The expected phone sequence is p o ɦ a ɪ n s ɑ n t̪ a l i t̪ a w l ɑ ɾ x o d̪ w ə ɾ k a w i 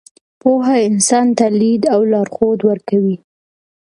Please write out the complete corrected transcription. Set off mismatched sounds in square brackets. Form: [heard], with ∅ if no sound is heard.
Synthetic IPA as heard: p o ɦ a ɪ n s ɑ n t̪ a l i [d̪] a w l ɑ ɾ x o d̪ w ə ɾ k a w i